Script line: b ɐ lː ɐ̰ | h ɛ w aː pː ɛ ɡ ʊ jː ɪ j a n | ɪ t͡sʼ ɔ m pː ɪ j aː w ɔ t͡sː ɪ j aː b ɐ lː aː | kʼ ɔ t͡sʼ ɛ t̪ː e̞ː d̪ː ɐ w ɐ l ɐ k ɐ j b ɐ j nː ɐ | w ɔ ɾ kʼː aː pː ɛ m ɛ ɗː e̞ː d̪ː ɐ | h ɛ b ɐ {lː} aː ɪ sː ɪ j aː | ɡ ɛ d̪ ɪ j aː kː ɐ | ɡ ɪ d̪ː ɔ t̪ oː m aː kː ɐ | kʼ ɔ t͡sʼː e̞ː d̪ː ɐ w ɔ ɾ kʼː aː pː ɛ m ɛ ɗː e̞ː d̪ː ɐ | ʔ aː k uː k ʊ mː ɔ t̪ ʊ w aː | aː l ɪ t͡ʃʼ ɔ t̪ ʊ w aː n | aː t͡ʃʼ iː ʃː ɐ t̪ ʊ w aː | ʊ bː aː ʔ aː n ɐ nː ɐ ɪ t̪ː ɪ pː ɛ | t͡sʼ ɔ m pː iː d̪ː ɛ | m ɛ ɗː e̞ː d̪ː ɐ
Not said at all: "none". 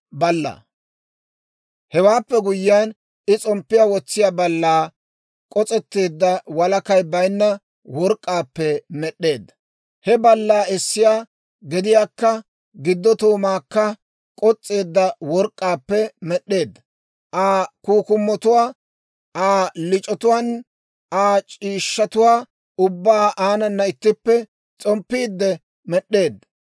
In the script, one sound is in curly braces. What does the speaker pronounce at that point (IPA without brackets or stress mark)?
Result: lː